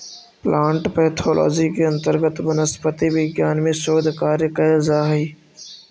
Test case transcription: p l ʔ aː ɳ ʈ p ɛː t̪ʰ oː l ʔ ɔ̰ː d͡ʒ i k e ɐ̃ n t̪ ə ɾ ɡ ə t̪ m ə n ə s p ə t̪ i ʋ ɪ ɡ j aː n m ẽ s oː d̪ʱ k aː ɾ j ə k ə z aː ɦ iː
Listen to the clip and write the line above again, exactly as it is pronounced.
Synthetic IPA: p l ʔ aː ɳ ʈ p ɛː t̪ʰ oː l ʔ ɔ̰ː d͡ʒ i k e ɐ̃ n t̪ ə ɾ ɡ ə t̪ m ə n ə s p ə t̪ i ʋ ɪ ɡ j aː n m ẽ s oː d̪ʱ k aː ɾ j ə k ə z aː ɦ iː